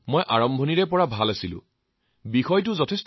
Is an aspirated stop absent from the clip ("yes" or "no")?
no